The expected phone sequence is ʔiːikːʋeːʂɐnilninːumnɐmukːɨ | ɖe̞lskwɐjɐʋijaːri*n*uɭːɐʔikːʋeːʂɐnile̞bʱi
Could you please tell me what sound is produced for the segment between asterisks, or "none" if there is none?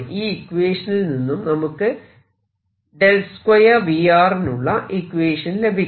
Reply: n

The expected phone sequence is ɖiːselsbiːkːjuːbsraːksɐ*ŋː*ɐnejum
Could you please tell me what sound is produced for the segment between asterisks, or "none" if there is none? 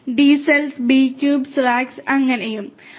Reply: ŋː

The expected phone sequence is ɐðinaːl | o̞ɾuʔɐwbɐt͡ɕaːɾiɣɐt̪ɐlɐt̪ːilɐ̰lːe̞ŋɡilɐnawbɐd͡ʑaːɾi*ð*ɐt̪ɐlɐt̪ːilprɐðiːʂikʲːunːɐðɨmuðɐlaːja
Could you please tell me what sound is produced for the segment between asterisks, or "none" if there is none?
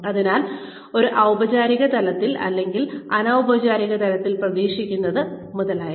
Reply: ɣ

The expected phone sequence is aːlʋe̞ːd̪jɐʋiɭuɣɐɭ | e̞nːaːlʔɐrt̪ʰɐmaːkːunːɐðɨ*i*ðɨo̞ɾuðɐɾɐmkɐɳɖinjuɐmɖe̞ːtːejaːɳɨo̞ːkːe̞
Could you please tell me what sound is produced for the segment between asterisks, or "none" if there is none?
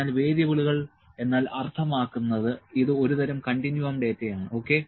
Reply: i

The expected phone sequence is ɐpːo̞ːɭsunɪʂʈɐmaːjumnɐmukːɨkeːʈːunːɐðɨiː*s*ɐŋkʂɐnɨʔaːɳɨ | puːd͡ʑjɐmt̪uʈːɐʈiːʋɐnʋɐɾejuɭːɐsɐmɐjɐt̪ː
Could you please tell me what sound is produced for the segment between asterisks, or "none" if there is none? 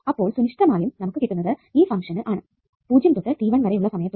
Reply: f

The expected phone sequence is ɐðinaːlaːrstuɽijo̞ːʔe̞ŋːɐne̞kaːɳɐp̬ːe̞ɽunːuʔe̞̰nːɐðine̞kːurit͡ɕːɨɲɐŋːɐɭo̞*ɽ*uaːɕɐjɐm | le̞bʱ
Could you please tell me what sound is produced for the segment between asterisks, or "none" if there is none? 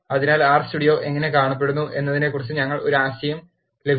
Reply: ɾ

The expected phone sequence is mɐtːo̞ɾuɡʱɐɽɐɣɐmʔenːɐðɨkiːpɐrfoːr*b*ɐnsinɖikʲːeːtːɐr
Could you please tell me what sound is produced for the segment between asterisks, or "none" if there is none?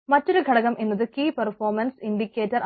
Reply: m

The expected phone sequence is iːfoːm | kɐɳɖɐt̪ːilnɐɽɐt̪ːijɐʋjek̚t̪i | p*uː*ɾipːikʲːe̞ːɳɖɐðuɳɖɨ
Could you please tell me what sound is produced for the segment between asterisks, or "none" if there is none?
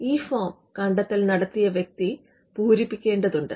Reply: uː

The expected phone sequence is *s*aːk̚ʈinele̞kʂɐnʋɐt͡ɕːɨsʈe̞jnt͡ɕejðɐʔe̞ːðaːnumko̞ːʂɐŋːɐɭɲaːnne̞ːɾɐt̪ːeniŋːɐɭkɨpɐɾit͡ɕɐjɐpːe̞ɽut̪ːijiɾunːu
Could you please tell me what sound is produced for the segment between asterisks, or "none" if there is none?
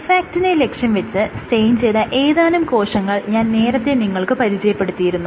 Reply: f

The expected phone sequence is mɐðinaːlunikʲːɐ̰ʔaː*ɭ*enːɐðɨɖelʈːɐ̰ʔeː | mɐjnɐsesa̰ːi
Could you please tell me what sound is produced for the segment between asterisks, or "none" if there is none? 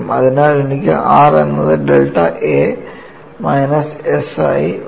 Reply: r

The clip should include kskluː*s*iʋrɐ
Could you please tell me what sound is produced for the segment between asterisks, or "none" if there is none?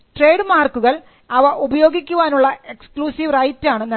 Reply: s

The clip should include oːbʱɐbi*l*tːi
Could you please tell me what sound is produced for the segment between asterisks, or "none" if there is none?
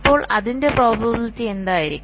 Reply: l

